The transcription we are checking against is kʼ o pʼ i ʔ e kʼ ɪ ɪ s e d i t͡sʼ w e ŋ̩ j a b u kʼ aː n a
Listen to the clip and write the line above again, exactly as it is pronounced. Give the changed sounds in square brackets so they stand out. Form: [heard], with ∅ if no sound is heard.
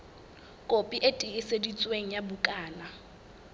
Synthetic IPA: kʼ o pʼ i ʔ e [tʼ] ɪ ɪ s e d i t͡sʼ w e ŋ̩ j a b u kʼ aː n a